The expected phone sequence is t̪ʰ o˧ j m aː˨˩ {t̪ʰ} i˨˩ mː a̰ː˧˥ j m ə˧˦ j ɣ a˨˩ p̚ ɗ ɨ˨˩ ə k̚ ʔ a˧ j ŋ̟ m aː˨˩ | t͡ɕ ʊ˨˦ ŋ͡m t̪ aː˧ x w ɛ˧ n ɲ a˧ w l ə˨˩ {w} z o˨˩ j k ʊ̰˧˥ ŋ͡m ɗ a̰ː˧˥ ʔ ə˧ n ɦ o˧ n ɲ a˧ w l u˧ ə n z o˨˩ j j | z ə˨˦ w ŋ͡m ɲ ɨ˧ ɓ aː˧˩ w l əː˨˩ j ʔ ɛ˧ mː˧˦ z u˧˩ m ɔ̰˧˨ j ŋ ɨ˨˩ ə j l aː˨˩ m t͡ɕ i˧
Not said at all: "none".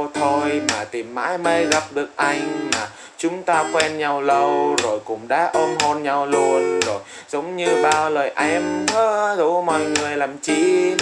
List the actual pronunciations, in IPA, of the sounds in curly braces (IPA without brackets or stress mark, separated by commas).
t̪, w